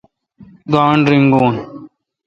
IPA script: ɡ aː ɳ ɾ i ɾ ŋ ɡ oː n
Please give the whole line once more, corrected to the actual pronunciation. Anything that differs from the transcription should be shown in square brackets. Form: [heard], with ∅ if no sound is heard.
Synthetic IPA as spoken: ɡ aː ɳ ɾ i [∅] ŋ ɡ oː n